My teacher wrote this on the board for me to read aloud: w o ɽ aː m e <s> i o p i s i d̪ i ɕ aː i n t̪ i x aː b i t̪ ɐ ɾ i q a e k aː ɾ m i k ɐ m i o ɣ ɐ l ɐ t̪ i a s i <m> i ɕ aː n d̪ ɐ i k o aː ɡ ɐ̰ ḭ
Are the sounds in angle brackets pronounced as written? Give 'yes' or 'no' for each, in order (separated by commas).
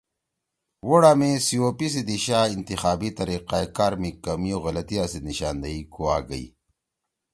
yes, no